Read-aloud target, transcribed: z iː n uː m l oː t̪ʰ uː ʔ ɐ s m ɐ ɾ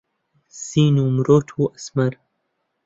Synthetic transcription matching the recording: s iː n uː m ɾ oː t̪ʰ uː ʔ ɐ s m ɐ ɾ

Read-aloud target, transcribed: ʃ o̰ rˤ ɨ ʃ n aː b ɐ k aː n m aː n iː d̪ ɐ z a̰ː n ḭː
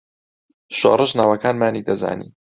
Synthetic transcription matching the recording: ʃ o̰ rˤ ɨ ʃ n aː w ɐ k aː n m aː n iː d̪ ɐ z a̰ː n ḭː

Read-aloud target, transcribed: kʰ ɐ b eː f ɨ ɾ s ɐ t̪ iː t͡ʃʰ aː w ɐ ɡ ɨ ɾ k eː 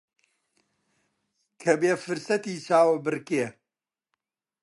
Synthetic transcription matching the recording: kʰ ɐ b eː f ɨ ɾ s ɐ t̪ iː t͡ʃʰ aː w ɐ b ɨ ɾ k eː

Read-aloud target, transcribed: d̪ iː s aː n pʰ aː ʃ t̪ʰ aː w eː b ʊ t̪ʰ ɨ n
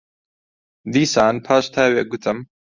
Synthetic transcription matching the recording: d̪ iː s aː n pʰ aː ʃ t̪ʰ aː w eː ɡ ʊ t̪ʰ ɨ m

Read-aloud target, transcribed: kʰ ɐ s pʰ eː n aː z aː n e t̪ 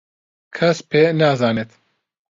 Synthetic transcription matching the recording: kʰ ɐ s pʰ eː n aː z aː n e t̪

